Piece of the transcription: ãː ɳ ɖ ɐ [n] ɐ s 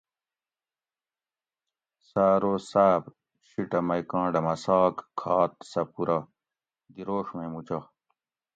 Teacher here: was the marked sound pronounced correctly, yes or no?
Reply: no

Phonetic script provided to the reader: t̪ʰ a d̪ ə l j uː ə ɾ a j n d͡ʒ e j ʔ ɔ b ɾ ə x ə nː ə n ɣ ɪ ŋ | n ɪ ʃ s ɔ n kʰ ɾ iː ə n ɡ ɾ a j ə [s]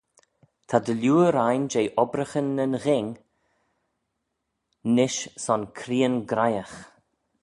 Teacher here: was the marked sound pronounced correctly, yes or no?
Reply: no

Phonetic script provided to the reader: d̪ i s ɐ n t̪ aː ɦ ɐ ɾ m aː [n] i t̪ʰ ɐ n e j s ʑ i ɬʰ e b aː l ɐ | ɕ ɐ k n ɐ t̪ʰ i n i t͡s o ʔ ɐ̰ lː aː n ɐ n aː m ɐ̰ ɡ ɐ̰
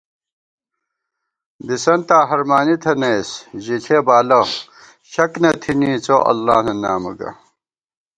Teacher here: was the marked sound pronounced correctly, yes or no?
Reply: yes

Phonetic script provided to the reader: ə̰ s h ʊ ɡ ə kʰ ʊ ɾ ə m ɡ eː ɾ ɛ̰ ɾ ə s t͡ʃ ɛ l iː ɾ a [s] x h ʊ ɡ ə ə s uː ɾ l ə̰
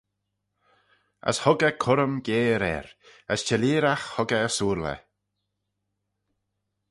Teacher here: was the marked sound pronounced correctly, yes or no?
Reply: no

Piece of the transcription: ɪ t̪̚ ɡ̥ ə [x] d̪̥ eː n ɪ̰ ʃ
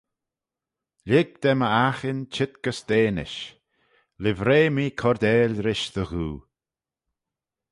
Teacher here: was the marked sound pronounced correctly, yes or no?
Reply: no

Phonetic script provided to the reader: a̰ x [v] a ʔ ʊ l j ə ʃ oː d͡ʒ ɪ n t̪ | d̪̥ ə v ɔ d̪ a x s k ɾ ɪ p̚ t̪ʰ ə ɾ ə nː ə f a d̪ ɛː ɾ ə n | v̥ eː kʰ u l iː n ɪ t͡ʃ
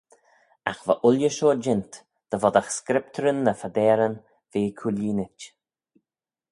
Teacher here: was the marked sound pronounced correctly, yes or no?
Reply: yes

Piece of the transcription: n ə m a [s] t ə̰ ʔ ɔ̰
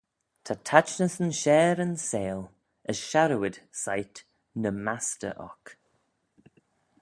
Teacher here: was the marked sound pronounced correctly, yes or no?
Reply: yes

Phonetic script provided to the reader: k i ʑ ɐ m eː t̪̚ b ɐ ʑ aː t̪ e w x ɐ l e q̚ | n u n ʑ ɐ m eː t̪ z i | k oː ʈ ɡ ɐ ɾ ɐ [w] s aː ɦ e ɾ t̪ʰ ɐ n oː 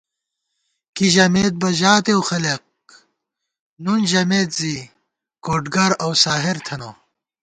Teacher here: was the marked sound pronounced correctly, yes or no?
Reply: yes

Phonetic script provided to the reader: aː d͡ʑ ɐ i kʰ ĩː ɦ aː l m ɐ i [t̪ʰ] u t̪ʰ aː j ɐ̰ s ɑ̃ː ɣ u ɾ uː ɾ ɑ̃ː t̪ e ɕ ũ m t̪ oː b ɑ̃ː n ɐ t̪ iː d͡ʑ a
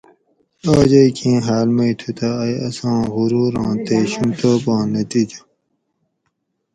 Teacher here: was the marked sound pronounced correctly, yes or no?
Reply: yes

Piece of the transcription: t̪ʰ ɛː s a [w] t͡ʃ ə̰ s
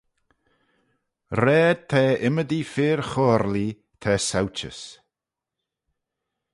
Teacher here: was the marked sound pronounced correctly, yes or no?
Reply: yes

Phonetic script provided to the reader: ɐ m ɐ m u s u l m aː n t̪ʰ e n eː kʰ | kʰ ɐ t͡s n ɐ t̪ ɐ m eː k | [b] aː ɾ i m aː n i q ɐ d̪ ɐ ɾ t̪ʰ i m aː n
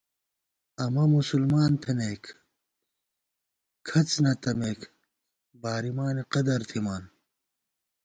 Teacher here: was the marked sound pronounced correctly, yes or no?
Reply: yes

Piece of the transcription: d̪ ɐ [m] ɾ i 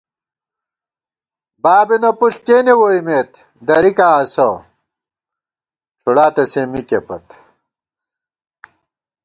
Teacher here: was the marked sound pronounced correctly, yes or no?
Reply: no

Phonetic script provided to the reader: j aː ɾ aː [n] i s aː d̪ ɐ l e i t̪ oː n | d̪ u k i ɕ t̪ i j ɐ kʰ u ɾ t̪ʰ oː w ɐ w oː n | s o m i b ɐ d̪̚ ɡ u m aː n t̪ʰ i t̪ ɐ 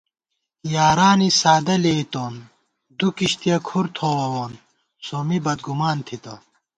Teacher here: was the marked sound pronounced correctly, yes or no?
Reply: yes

